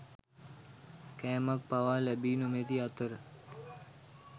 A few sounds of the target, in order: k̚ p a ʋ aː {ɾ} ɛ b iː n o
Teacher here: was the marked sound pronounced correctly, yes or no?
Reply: no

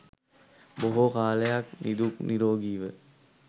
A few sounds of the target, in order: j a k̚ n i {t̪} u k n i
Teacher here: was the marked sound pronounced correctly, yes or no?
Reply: no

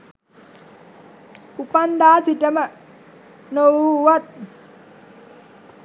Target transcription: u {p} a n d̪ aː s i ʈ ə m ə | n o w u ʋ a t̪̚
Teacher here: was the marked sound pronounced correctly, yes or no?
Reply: yes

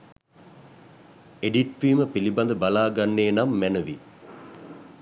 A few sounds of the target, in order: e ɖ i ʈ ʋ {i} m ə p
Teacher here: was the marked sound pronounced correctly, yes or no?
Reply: no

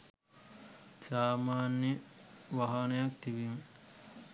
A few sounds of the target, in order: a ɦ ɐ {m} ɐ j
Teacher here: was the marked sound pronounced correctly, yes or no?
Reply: no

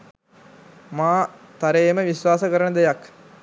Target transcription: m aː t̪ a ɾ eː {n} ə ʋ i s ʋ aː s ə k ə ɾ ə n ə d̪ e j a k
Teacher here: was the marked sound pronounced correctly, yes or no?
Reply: no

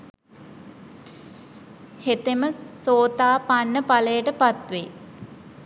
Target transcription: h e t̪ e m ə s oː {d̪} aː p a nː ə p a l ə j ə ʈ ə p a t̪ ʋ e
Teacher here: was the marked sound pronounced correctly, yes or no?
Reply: no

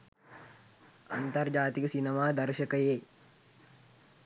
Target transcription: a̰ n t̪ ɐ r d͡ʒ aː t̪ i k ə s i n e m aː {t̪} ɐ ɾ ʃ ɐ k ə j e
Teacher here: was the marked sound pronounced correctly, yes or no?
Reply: no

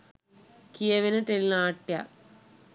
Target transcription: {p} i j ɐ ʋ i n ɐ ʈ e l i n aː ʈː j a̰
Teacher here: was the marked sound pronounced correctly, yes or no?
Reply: no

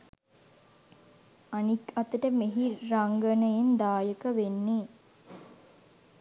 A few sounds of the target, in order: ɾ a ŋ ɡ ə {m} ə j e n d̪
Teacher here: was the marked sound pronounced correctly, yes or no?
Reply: no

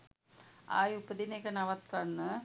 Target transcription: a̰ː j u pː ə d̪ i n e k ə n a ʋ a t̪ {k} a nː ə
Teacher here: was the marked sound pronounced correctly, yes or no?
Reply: yes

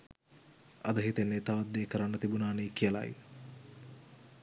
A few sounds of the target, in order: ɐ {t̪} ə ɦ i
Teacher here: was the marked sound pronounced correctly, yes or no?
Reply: no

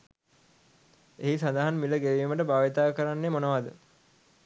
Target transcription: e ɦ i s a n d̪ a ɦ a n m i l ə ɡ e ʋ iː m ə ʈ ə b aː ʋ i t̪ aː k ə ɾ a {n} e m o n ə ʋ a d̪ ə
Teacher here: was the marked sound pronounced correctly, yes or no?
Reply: no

